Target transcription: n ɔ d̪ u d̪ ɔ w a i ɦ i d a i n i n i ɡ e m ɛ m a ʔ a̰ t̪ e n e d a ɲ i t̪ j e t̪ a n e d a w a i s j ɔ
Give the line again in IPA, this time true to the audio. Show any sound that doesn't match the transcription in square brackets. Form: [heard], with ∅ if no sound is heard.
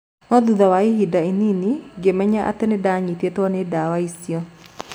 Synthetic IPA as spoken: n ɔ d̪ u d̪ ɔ w a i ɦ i d a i n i n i ɡ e m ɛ [ɲ] a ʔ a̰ t̪ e n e d a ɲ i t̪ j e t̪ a n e d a w a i s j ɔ